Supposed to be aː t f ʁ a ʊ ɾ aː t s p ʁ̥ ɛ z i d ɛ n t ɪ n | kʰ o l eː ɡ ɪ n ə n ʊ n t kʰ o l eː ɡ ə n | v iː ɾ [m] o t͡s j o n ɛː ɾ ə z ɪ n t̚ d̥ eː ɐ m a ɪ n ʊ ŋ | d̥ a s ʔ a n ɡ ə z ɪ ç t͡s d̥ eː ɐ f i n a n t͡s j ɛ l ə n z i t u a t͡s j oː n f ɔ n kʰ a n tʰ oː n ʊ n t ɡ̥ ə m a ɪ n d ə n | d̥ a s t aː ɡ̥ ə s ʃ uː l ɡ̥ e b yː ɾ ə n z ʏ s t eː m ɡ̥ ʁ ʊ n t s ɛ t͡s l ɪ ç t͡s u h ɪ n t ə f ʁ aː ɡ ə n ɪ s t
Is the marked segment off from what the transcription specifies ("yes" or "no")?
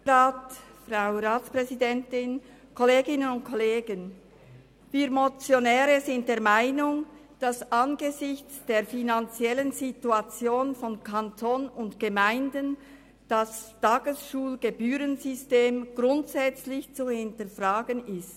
no